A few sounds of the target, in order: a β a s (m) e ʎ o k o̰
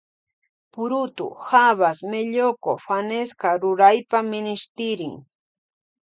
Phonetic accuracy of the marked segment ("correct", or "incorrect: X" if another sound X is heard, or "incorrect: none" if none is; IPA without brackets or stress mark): correct